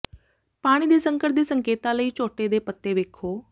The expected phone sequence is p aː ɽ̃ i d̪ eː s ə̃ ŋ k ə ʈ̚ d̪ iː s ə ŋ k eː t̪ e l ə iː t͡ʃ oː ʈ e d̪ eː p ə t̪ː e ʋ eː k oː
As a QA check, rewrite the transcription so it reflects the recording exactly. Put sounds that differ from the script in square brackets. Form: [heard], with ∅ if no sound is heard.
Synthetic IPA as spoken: p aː ɽ̃ i d̪ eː s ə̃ ŋ k ə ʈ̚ d̪ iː s ə ŋ k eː t̪ [a] l ə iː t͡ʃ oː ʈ e d̪ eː p ə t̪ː e ʋ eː [kʰ] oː